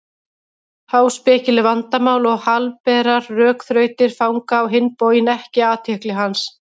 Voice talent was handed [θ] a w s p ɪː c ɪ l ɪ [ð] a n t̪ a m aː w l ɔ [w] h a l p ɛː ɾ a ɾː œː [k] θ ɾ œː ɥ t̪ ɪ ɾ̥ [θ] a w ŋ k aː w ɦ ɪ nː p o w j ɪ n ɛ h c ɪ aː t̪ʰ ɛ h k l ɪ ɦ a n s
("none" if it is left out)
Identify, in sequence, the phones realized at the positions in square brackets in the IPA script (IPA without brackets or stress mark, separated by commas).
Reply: h, v, ɣ, k, f